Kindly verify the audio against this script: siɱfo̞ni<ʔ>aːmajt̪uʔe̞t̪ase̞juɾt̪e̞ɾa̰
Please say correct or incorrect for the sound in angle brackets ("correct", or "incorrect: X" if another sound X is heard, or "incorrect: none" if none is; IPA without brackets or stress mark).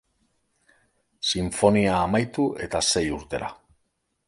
incorrect: none